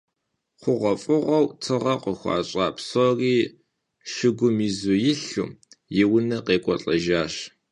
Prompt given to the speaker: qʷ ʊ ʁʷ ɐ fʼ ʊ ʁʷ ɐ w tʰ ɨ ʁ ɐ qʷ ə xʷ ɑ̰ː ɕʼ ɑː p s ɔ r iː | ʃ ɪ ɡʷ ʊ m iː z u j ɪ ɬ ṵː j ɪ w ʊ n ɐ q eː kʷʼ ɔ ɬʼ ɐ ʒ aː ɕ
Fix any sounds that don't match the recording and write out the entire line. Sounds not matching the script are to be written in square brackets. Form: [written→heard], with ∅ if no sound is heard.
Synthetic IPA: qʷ ʊ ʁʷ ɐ fʼ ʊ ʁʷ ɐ w tʰ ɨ ʁ ɐ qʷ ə xʷ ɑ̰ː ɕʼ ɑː p s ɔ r iː | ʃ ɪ ɡʷ ʊ m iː z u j ɪ ɬ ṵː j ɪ w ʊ n ɐ q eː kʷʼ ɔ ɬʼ ɐ ʒ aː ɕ